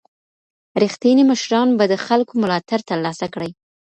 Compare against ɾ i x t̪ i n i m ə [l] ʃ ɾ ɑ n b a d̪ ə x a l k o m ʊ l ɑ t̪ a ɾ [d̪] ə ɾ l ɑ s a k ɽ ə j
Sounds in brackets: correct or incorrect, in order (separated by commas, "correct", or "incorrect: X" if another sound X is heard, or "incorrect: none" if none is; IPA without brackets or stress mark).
incorrect: none, incorrect: t̪